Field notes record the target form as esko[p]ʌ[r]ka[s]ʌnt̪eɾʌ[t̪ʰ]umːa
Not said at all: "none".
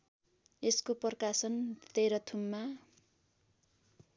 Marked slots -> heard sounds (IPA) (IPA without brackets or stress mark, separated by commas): p, r, s, t̪ʰ